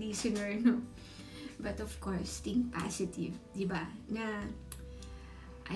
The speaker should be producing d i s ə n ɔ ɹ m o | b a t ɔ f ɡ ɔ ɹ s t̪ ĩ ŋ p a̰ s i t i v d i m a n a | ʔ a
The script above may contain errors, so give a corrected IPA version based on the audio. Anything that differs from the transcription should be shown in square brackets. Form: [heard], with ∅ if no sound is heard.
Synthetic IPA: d i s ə n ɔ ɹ [n] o | b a t ɔ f [k] ɔ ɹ s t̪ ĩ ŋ p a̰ s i t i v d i [b] a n a | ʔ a